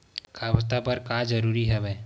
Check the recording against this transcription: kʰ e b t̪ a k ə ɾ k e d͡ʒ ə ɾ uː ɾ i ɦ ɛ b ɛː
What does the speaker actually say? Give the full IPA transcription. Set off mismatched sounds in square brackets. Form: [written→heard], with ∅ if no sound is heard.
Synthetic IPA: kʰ [e→a] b t̪ a [k→p] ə ɾ k [e→a] d͡ʒ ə ɾ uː ɾ i ɦ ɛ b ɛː